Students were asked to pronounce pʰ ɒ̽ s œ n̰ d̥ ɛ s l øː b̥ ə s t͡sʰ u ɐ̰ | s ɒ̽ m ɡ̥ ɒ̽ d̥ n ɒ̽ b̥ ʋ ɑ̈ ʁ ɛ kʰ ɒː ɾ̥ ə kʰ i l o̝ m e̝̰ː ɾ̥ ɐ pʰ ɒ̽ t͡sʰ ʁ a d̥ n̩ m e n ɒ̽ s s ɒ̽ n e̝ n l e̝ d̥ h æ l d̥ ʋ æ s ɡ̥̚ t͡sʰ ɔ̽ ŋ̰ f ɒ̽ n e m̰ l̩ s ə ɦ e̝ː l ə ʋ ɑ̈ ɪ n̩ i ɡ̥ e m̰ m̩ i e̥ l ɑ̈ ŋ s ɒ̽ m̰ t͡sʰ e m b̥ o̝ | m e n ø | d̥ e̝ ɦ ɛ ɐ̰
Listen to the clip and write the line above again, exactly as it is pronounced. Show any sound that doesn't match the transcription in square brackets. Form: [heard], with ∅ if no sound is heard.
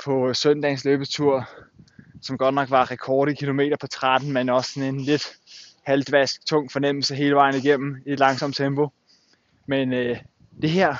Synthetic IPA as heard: pʰ ɒ̽ s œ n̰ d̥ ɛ s l øː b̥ ə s t͡sʰ u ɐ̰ | s ɒ̽ m ɡ̥ ɒ̽ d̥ n ɒ̽ [ɡ̥] ʋ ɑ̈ ʁ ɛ kʰ ɒː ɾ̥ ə kʰ i l o̝ m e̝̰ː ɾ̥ ɐ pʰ ɒ̽ t͡sʰ ʁ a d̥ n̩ m e n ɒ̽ s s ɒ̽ n e̝ n l e̝ d̥ h æ l d̥ ʋ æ s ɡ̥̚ t͡sʰ ɔ̽ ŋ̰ f ɒ̽ n e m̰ l̩ s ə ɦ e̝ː l ə ʋ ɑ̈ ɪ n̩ i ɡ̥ e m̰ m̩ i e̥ l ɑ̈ ŋ s ɒ̽ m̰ t͡sʰ e m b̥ o̝ | m e n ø | d̥ e̝ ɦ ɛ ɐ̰